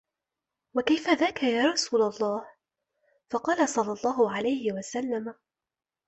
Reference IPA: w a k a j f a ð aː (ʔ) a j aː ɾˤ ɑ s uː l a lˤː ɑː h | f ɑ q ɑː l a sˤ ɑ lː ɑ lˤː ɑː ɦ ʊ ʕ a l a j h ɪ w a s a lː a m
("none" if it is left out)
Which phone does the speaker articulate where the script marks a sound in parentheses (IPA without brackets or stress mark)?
k